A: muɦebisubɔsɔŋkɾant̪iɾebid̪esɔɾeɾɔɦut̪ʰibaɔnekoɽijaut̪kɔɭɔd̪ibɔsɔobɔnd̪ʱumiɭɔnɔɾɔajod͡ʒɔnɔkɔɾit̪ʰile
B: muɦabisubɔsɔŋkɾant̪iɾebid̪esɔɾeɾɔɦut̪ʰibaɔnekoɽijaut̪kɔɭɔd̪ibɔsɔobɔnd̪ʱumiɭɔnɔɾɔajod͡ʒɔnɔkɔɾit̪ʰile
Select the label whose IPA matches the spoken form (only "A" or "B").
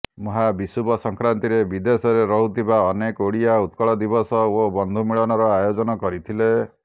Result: B